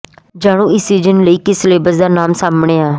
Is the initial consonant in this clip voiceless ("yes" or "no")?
no